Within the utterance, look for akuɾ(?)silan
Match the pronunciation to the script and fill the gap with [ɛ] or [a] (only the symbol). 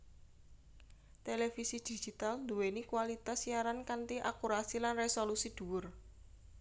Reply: a